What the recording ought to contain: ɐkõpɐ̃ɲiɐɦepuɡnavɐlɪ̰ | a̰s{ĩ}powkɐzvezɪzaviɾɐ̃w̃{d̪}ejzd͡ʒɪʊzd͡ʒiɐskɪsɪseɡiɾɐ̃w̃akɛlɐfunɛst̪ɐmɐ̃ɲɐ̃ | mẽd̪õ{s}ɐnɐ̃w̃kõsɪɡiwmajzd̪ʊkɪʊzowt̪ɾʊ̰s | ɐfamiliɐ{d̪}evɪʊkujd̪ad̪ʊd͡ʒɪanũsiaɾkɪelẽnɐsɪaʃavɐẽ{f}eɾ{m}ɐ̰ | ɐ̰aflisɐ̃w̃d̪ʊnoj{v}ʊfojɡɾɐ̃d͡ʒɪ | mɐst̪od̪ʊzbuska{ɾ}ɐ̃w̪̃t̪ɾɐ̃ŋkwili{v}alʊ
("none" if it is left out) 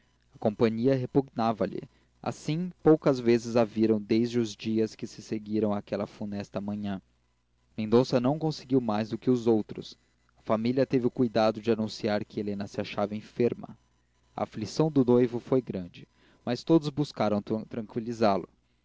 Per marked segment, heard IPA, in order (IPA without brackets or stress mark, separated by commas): ĩ, d̪, s, t̪, f, m, v, ɾ, z